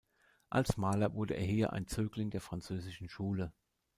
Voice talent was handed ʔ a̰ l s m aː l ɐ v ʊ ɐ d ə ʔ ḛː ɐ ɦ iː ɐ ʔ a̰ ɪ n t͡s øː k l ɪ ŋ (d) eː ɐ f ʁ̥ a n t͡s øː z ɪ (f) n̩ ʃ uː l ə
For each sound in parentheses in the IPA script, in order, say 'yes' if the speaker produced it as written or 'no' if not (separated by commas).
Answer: yes, no